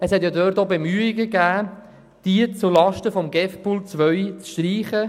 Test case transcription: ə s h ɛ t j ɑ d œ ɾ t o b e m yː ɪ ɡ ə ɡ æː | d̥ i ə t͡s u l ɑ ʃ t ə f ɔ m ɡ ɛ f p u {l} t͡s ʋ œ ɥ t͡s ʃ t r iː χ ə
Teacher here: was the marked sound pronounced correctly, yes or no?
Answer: yes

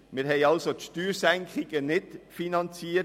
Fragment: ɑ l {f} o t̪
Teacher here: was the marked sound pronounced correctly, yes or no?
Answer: no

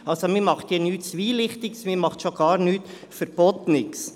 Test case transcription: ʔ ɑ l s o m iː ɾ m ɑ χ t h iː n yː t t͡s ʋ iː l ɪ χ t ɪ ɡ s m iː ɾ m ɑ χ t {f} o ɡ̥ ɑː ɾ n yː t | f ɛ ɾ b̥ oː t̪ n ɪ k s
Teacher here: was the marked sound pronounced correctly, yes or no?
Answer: no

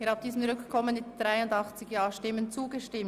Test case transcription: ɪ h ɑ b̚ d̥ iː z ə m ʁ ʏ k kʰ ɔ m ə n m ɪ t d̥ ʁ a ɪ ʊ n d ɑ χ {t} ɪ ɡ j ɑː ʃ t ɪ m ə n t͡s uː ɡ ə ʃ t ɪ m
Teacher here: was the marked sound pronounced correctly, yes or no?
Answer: no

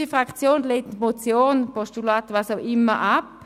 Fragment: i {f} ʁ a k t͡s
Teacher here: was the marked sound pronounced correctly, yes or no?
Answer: yes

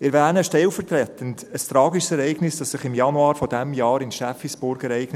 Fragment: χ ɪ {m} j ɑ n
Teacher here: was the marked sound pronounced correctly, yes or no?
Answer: yes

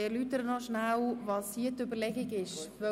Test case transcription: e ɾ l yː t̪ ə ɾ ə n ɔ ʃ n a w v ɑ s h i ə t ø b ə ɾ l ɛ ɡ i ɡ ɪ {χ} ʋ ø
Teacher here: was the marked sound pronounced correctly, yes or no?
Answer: no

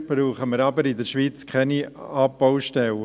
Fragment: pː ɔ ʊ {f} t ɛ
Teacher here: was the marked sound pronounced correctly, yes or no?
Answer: no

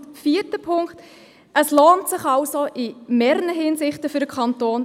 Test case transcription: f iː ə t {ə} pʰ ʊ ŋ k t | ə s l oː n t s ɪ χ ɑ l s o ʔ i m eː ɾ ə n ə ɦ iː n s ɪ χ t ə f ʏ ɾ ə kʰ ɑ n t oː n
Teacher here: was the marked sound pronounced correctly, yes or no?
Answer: yes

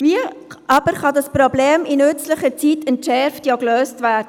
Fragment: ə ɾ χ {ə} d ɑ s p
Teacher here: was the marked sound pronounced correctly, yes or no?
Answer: no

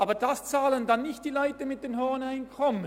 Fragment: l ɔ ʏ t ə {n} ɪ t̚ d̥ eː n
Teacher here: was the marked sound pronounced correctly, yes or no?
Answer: no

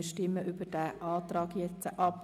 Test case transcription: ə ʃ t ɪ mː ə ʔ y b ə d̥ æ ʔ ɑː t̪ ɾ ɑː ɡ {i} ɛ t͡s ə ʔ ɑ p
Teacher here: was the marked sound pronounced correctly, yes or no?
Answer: no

